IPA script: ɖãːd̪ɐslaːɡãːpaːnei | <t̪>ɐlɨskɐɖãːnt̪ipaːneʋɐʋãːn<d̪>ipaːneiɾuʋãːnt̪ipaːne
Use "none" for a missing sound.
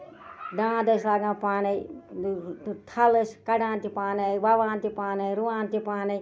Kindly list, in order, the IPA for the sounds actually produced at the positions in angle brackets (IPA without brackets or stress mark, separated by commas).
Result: t̪ʰ, t̪